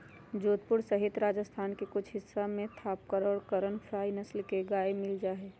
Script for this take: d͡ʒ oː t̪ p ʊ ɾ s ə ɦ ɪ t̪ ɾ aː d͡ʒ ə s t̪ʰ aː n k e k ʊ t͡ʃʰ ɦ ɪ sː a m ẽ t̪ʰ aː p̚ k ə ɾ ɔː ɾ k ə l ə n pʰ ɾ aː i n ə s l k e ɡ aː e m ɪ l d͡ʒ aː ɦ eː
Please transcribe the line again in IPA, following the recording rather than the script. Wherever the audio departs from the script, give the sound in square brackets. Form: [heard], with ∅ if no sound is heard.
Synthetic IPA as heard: d͡ʒ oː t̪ p ʊ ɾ s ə ɦ ɪ t̪ ɾ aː d͡ʒ ə s t̪ʰ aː n k e k ʊ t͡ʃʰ ɦ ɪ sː a m ẽ t̪ʰ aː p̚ k ə ɾ ɔː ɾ k ə [ɾ] ə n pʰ ɾ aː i n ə s l k e ɡ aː e m ɪ l d͡ʒ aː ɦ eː